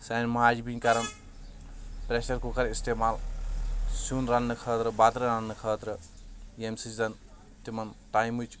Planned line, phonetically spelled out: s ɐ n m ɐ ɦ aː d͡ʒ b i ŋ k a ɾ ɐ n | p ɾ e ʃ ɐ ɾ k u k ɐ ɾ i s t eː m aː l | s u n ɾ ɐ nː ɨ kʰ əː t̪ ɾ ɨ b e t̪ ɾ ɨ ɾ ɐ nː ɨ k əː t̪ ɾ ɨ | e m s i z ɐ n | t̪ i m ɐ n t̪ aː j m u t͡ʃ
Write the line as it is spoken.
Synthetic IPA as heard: s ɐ n m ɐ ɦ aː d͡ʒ b i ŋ k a ɾ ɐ n | p ɾ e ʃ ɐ ɾ k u k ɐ ɾ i s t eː m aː l | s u n ɾ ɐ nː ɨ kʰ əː t̪ ɾ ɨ b a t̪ ɾ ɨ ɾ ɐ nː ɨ kʰ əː t̪ ɾ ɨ | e m s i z ɐ n | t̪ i m ɐ n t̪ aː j m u t͡ʃ

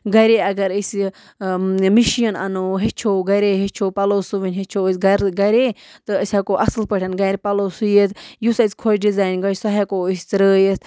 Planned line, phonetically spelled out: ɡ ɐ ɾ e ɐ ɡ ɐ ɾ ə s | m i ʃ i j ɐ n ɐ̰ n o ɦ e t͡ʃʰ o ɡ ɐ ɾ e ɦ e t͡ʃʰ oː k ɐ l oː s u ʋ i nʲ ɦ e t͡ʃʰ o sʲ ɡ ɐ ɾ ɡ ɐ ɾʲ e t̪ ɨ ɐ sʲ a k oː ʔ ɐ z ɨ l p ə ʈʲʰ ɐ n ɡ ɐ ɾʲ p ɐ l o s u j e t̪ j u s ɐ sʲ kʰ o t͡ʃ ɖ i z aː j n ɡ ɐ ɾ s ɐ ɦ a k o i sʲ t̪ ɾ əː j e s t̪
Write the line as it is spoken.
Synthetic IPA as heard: ɡ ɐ ɾ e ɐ ɡ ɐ ɾ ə s | m i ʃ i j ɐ n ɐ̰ n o ɦ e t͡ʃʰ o ɡ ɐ ɾ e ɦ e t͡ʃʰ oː p ɐ l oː s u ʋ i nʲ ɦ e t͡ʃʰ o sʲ ɡ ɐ ɾ ɡ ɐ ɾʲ e t̪ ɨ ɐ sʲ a k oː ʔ ɐ s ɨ l p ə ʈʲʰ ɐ n ɡ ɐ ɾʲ p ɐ l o s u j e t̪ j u s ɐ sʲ kʰ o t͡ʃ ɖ i z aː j n ɡ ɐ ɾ s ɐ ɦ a k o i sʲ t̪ ɾ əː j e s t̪

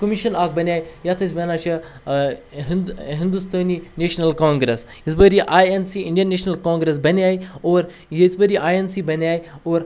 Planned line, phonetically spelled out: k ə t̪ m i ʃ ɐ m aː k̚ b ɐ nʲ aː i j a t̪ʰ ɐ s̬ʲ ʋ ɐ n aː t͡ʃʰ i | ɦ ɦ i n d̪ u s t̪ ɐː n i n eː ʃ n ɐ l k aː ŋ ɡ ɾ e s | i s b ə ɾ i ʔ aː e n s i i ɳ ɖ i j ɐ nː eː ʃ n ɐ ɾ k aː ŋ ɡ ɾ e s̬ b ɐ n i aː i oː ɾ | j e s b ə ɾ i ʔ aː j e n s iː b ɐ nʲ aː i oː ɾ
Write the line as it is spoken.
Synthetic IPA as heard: k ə m i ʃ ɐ n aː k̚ b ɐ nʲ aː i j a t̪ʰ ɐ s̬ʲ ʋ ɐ n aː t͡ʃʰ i | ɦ ɦ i n d̪ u s t̪ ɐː n i n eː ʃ n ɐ l k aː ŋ ɡ ɾ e s | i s b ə ɾ i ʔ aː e n s i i ɳ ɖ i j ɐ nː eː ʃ n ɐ l k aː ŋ ɡ ɾ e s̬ b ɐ n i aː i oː ɾ | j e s b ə ɾ i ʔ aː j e n s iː b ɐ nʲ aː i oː ɾ

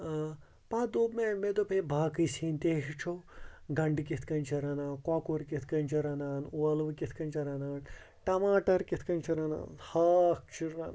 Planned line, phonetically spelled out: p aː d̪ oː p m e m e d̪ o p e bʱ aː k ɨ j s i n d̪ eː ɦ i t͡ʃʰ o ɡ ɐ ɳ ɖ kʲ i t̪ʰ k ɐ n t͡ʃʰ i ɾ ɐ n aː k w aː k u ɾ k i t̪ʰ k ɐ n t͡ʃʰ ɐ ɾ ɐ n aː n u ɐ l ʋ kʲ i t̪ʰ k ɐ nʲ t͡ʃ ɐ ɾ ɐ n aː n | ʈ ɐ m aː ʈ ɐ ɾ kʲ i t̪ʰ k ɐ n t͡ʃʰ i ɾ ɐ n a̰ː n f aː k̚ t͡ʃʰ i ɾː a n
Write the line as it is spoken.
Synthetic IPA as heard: p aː d̪ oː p m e m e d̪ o p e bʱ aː k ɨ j s i n t̪ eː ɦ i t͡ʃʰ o ɡ ɐ ɳ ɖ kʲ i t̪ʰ k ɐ n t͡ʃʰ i ɾ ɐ n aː k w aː k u ɾ k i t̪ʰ k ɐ n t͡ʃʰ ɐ ɾ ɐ n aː n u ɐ l ʋ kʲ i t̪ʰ k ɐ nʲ t͡ʃ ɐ ɾ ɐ n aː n | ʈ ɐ m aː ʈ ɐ ɾ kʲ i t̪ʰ k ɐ n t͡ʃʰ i ɾ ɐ n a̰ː n h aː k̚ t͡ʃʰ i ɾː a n

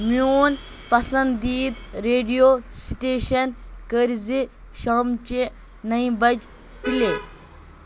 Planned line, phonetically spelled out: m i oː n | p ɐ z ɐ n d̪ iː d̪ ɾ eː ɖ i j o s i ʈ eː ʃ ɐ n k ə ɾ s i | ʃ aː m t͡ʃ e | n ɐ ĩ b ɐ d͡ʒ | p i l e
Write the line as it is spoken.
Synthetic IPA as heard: m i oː n | p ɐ s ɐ n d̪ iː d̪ ɾ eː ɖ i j o s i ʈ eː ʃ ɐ n k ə ɾ z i | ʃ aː m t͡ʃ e | n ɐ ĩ b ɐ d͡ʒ | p i l e

